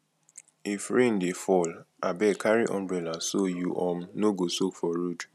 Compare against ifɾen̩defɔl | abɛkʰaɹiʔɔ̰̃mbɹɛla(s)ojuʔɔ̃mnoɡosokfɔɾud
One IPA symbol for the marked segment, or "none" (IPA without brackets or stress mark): s